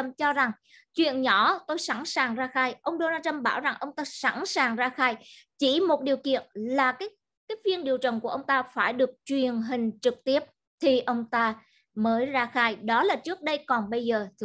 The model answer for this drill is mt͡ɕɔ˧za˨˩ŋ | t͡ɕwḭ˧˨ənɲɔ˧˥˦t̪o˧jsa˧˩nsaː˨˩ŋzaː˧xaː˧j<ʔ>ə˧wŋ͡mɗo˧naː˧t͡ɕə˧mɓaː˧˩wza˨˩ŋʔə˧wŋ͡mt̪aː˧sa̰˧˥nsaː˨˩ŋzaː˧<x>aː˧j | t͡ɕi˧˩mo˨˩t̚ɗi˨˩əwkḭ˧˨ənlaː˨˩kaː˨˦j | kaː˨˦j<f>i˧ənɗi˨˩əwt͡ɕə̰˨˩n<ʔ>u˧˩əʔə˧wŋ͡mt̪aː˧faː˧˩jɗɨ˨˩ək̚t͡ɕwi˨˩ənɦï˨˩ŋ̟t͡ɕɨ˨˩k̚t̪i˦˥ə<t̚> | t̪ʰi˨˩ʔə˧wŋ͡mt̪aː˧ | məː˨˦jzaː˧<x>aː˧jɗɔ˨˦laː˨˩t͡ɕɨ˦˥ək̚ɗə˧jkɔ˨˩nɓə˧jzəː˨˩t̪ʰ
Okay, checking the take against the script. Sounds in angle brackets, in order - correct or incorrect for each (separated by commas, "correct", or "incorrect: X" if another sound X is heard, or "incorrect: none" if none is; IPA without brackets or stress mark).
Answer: correct, correct, incorrect: v, incorrect: k, incorrect: p̚, correct